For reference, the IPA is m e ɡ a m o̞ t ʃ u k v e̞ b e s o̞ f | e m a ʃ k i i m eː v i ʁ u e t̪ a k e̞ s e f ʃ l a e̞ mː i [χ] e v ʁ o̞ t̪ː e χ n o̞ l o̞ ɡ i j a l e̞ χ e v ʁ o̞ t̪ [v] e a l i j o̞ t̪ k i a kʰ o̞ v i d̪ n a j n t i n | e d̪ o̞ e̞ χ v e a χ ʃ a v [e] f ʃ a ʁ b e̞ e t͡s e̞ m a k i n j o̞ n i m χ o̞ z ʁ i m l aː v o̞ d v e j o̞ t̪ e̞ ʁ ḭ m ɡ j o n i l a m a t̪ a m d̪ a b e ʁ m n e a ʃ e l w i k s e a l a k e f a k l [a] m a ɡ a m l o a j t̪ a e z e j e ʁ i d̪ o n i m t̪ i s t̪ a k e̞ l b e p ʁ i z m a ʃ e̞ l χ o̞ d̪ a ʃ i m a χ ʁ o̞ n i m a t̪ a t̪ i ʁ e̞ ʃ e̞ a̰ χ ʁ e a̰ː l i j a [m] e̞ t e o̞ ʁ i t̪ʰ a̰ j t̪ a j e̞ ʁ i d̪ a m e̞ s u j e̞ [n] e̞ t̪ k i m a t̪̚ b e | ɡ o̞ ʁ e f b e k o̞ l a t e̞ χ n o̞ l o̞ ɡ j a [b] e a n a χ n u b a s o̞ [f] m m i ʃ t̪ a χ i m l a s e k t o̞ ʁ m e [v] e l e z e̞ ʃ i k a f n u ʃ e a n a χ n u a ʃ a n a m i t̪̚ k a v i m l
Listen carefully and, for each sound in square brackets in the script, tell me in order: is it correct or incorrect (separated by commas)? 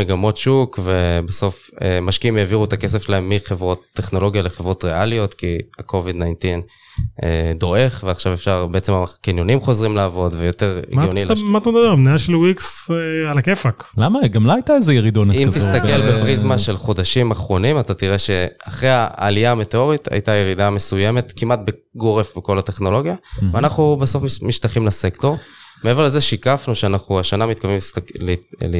correct, incorrect, correct, correct, correct, incorrect, incorrect, correct, correct